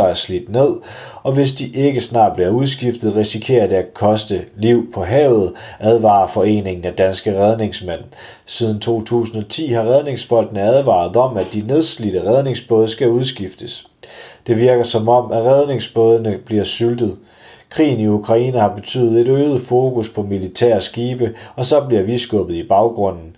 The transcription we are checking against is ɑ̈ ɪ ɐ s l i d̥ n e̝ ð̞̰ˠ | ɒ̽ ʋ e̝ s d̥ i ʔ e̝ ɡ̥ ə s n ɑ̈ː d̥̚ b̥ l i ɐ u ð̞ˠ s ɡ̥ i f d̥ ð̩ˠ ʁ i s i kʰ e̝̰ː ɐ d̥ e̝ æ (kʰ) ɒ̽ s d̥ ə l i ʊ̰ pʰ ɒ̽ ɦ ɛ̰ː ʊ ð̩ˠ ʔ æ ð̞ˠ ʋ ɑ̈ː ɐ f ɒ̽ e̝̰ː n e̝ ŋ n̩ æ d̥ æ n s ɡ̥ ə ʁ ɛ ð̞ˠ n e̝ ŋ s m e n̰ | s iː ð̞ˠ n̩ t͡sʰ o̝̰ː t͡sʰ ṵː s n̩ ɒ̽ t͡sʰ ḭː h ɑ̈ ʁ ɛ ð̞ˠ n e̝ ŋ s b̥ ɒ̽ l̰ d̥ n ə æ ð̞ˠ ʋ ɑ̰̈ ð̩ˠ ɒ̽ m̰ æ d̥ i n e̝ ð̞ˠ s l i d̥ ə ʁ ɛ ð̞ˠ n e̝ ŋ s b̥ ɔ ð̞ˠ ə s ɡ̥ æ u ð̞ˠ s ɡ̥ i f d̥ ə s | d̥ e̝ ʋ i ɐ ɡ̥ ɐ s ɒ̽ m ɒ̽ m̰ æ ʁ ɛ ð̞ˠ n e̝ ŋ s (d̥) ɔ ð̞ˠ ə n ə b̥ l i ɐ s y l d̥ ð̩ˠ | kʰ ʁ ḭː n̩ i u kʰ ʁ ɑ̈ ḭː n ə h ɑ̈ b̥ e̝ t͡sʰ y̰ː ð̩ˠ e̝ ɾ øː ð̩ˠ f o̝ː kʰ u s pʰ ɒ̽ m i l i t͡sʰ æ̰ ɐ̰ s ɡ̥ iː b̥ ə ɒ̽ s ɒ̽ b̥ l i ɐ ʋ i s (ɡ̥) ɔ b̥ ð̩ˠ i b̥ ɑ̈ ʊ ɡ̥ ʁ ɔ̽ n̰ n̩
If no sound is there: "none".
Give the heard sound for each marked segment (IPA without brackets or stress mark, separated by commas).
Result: kʰ, b̥, ɡ̥